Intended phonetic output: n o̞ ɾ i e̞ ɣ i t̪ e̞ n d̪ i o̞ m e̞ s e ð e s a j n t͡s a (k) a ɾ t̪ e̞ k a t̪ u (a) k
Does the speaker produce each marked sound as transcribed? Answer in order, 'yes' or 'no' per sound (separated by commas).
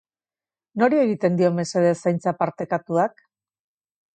no, yes